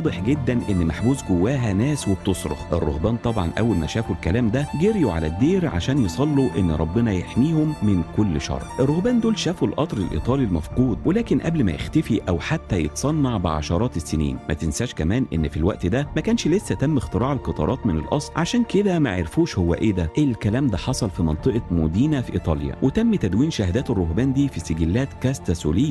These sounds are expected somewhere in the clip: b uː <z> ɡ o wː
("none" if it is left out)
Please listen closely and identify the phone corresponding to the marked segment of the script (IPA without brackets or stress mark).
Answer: z